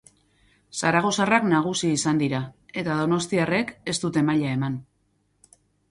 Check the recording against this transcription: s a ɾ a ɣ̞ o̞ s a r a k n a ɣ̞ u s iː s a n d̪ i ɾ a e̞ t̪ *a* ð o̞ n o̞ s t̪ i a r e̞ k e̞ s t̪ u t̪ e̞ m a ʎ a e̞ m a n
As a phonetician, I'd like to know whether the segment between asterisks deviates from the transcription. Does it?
no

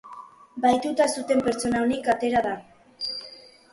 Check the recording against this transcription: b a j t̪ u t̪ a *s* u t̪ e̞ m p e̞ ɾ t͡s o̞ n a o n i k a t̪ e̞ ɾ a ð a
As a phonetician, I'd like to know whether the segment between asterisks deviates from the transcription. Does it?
no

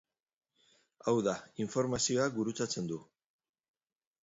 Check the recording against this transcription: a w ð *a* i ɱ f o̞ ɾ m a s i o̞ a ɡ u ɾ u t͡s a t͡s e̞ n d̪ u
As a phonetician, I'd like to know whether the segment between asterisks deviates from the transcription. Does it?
no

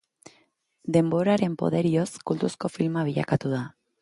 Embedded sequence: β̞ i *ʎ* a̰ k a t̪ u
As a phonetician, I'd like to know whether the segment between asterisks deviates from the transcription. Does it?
no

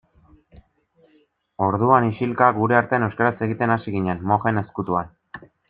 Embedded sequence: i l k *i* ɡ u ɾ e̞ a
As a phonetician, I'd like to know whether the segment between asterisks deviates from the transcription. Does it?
yes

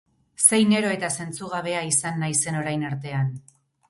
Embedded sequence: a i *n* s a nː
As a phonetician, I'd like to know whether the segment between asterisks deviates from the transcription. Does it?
yes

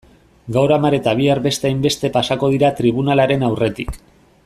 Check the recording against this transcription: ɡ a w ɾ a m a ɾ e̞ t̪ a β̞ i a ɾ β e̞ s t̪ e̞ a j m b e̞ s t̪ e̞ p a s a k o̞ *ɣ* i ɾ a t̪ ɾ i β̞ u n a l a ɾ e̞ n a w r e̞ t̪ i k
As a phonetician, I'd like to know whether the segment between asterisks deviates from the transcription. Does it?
yes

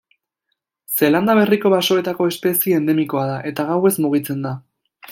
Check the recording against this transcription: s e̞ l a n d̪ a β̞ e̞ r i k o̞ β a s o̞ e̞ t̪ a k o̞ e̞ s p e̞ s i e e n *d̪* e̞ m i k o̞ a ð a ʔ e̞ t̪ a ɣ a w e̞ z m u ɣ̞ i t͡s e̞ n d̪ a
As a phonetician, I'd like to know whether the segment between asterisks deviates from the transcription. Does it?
no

